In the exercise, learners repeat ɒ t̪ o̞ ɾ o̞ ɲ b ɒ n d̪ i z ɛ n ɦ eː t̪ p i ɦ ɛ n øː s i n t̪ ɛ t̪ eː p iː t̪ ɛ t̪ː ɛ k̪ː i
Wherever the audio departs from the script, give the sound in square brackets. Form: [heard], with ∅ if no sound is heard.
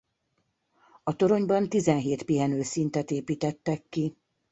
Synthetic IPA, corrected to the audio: ɒ t̪ o̞ ɾ o̞ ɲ b ɒ n [t̪] i z ɛ n ɦ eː t̪ p i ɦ ɛ n øː s i n t̪ ɛ t̪ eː p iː t̪ ɛ t̪ː ɛ k̪ː i

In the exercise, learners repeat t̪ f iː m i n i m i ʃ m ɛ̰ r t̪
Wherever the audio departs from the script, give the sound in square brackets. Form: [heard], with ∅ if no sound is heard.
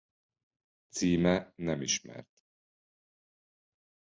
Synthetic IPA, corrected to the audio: t̪ [s] iː m [ɛ] n [ɛ] m i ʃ m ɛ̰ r t̪

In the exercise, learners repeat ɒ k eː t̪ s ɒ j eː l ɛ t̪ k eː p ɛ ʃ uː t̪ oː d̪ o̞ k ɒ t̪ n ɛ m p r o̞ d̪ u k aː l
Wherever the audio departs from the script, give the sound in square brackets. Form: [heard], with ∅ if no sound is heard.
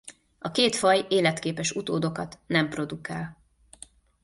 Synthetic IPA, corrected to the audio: ɒ k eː t̪ [f] ɒ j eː l ɛ t̪ k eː p ɛ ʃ [u] t̪ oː d̪ o̞ k ɒ t̪ n ɛ m p r o̞ d̪ u k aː l

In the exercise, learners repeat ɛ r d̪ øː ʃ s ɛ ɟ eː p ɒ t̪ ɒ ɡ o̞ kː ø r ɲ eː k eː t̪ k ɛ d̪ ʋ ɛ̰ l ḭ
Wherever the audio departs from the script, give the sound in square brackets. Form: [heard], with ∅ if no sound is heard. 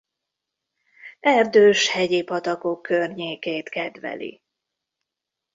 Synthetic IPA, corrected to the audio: ɛ r d̪ øː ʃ [h] ɛ ɟ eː p ɒ t̪ ɒ [k] o̞ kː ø r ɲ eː k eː t̪ k ɛ d̪ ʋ ɛ̰ l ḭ

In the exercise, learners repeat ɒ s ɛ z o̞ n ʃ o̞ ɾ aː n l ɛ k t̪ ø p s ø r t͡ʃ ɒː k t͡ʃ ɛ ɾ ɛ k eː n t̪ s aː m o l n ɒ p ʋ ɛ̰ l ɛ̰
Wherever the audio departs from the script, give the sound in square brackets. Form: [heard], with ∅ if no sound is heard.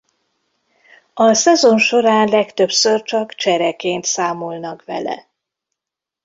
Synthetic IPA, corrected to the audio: ɒ s ɛ z o̞ n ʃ o̞ ɾ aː n l ɛ k t̪ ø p s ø r t͡ʃ [ɒ] k t͡ʃ ɛ ɾ ɛ k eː n t̪ s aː m o l n ɒ [k] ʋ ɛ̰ l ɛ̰

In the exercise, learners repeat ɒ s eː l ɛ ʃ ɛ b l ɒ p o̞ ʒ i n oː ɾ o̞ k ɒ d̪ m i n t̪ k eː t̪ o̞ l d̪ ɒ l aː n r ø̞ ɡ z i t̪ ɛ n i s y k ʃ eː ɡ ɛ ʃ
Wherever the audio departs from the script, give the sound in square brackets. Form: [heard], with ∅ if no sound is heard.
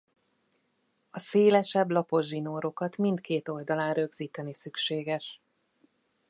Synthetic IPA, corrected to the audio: ɒ s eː l ɛ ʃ ɛ b l ɒ p o̞ ʒ i n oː ɾ o̞ k ɒ [t̪] m i n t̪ k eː t̪ o̞ l d̪ ɒ l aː n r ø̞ ɡ z [iː] t̪ ɛ n i s y k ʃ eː ɡ ɛ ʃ

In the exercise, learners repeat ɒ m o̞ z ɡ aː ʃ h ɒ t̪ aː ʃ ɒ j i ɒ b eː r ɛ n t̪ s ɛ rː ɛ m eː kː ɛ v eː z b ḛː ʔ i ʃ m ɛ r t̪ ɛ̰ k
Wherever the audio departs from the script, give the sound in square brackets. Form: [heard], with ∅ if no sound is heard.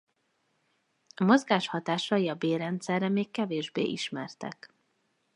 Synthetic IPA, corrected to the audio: ɒ m o̞ z ɡ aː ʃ h ɒ t̪ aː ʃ ɒ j i ɒ b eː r ɛ n t̪ s ɛ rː ɛ m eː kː ɛ v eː [ʒ] b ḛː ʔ i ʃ m ɛ r t̪ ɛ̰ k

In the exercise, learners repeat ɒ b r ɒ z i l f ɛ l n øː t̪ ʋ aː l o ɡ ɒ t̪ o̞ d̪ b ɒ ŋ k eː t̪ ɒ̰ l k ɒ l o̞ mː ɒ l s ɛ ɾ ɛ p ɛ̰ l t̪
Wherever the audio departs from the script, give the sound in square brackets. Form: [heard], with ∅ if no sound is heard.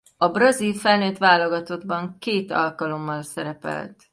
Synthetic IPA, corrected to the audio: ɒ b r ɒ z i l f ɛ l n øː t̪ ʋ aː l o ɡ ɒ t̪ o̞ d̪ b ɒ ŋ k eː t̪ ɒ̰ l k ɒ l o̞ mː ɒ l s ɛ ɾ ɛ p ɛ̰ l t̪

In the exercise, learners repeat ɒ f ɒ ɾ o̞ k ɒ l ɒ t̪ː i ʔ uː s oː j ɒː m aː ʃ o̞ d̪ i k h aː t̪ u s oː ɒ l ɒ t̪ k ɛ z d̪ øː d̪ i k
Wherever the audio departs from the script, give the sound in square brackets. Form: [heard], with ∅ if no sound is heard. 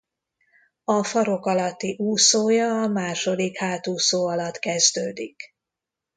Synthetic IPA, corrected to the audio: ɒ f ɒ ɾ o̞ k ɒ l ɒ t̪ː i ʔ uː s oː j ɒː m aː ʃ o̞ d̪ i k h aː t̪ [uː] s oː ɒ l ɒ t̪ k ɛ z d̪ øː d̪ i k

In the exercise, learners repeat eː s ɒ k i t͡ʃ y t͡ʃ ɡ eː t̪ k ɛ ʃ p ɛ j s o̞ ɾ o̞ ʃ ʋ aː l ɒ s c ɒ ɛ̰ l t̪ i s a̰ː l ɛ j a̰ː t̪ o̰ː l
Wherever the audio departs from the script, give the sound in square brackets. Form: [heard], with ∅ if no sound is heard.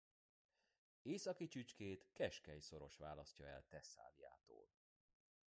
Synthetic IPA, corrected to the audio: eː s ɒ k i t͡ʃ y t͡ʃ [k] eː t̪ k ɛ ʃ [k] ɛ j s o̞ ɾ o̞ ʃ ʋ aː l ɒ s c ɒ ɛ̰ l t̪ [ɛ] s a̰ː l [i] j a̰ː t̪ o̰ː l

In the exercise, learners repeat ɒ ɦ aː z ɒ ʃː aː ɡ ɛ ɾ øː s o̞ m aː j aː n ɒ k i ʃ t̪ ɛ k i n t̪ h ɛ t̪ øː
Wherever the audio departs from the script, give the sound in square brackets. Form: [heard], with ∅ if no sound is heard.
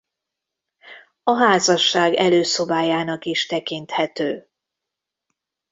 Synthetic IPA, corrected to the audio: ɒ ɦ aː z ɒ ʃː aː ɡ ɛ [l] øː s o̞ [b] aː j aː n ɒ k i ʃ t̪ ɛ k i n t̪ h ɛ t̪ øː

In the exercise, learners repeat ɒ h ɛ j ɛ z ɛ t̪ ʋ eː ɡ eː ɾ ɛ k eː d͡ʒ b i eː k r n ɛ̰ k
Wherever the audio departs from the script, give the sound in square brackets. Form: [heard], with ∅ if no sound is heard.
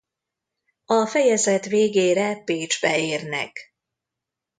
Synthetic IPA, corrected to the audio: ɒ [f] ɛ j ɛ z ɛ t̪ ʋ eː ɡ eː ɾ ɛ [p] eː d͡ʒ b [ɛ] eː [∅] r n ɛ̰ k

